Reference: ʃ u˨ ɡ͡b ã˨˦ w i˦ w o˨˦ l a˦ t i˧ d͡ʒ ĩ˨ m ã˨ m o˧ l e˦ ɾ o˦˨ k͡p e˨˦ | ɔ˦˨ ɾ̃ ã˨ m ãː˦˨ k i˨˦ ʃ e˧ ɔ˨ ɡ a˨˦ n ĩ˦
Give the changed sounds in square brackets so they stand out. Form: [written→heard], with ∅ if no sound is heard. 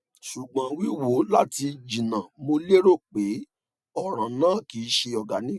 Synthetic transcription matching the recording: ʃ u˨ ɡ͡b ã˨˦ w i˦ w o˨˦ l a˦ t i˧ d͡ʒ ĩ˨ [m→n] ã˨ m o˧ l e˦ ɾ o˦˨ k͡p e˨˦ | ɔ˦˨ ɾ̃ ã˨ [m→n] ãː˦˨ k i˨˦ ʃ e˧ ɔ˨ ɡ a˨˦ n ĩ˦